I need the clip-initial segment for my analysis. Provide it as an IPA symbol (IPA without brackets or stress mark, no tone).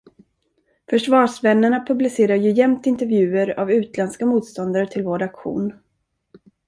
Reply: f